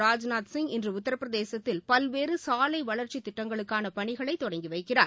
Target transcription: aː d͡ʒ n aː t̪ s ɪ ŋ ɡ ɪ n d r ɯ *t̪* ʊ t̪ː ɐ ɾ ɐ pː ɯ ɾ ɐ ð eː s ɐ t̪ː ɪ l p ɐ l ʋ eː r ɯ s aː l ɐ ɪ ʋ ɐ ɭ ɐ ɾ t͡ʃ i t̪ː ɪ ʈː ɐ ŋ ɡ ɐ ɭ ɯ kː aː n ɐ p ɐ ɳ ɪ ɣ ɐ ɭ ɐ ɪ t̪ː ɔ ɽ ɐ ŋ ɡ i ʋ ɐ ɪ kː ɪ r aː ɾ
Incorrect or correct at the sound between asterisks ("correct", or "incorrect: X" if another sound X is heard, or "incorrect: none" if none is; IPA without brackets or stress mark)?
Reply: incorrect: none